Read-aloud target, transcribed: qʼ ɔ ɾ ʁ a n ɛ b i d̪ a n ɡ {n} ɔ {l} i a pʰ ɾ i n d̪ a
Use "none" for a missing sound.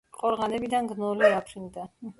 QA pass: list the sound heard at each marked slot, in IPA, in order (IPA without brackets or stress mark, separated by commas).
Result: n, l